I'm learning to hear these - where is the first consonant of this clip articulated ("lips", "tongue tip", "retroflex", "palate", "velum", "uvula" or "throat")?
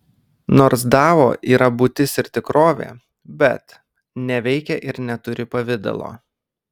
tongue tip